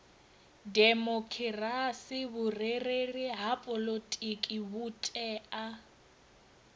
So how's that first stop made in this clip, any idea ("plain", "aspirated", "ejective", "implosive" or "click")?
plain